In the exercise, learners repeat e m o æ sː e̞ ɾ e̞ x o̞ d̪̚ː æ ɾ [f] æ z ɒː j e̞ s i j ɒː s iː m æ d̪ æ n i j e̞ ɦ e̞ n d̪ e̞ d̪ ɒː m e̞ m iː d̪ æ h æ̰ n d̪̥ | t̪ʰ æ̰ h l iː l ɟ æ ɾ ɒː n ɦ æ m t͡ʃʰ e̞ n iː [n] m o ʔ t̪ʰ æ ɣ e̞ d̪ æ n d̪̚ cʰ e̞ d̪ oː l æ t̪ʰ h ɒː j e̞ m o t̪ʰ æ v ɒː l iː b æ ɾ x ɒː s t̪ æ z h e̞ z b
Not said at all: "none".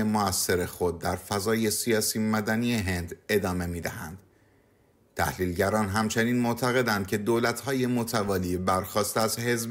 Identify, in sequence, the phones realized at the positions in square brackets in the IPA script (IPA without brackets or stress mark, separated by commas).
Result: f, n